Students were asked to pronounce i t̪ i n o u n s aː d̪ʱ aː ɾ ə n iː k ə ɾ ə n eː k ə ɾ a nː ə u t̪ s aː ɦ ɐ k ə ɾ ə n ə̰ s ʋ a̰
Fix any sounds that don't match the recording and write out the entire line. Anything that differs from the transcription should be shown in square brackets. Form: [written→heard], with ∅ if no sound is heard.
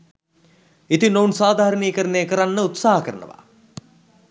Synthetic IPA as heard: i t̪ i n o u n s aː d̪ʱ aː ɾ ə n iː k ə ɾ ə n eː k ə ɾ a nː ə u t̪ s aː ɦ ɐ k ə ɾ ə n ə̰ [s→∅] ʋ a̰